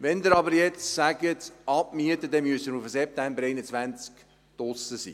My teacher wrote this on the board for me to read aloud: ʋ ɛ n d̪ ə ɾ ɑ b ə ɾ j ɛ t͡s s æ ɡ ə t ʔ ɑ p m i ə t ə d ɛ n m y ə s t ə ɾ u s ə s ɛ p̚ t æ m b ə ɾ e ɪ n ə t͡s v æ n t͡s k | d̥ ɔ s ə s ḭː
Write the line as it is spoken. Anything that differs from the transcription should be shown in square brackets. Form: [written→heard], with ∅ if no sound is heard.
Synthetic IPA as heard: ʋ ɛ n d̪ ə ɾ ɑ b ə ɾ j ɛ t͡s s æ ɡ ə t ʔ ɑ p m i ə t ə d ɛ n m y ə s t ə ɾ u [s→f] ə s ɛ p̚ t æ m b ə ɾ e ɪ n ə t͡s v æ n t͡s k | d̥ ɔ s ə s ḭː